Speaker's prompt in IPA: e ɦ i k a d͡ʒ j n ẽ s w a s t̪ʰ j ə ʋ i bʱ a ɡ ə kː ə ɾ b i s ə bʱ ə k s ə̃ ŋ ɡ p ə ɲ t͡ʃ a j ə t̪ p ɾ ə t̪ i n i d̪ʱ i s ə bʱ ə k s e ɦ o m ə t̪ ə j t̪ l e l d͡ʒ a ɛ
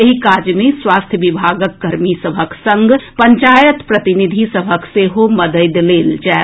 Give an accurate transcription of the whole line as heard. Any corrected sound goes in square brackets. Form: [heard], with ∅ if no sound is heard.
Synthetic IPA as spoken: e ɦ i k a d͡ʒ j [m] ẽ s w a s t̪ʰ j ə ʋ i bʱ a ɡ ə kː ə ɾ [m] i s ə bʱ ə k s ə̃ ŋ ɡ p ə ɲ t͡ʃ a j ə t̪ p ɾ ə t̪ i n i d̪ʱ i s ə bʱ ə k s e ɦ o m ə [d̪] ə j [d̪] l e l d͡ʒ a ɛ

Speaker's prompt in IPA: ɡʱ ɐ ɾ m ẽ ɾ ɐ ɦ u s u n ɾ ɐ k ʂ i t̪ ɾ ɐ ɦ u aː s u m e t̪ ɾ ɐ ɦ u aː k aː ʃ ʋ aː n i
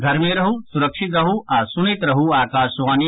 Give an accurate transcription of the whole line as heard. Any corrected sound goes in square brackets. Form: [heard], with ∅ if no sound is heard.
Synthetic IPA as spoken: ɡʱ ɐ ɾ m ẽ ɾ ɐ ɦ u s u [∅] ɾ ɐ k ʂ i t̪ ɾ ɐ ɦ u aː s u [n] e t̪ ɾ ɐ ɦ u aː k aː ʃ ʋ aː n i

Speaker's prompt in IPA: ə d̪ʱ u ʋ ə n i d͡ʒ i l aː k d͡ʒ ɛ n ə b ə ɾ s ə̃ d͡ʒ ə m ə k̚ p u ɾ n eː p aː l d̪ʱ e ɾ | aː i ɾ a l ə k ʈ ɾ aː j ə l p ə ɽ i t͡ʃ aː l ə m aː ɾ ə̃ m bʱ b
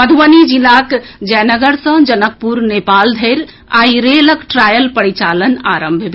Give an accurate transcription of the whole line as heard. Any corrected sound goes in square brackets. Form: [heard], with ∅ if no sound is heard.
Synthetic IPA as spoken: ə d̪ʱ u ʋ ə n i d͡ʒ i l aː k d͡ʒ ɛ n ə [ɡ] ə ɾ s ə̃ d͡ʒ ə [n] ə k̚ p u ɾ n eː p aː l d̪ʱ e ɾ | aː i ɾ [e] l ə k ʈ ɾ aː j ə l p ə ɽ i t͡ʃ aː l ə [n] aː ɾ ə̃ m bʱ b

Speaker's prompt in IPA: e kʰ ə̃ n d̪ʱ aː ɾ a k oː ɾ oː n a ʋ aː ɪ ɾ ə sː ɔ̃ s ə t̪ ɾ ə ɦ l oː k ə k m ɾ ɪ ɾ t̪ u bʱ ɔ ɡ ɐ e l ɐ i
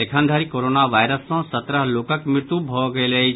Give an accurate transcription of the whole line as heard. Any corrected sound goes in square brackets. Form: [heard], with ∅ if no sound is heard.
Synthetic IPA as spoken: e kʰ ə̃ n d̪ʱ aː ɾ [i] k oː ɾ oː n a ʋ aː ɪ ɾ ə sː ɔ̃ s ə t̪ ɾ ə ɦ l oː k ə k m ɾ ɪ ɾ t̪ u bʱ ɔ ɡ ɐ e l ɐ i

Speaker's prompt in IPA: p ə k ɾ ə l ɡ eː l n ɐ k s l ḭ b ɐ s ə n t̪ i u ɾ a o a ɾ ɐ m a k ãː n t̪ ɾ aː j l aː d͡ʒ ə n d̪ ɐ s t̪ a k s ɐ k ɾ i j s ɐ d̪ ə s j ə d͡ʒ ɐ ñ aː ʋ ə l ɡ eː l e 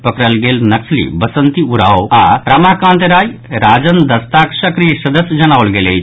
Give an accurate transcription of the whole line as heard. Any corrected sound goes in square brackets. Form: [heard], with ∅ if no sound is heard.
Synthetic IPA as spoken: p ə k ɾ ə l ɡ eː l n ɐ k s l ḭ b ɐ s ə n t̪ i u ɾ a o a ɾ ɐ m a k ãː n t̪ ɾ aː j [ɾ] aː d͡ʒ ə n d̪ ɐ s t̪ a k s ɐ k ɾ i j s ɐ d̪ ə s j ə d͡ʒ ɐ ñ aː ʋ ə l ɡ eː l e

